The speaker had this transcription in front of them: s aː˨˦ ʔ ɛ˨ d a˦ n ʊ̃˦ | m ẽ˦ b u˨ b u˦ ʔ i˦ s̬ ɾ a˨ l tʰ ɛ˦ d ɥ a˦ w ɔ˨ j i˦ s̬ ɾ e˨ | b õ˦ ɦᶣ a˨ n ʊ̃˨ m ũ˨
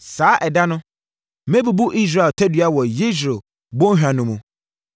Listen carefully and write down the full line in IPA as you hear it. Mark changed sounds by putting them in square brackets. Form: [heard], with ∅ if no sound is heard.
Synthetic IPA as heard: s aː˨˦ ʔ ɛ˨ d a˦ n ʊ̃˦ | m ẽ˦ b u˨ b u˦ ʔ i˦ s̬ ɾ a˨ l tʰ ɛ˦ d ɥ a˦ w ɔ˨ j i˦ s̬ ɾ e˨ | b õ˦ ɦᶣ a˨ n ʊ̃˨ m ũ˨